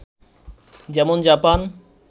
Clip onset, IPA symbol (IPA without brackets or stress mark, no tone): d͡ʑ